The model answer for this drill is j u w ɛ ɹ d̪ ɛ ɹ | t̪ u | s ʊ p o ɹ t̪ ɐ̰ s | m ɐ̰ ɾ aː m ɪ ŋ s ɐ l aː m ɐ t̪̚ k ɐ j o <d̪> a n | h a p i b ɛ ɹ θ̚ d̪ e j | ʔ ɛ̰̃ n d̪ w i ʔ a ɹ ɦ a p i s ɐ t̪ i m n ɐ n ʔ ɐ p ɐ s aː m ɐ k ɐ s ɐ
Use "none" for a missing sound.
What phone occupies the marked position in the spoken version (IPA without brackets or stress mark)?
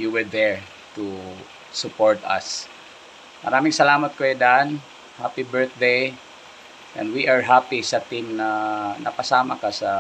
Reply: d̪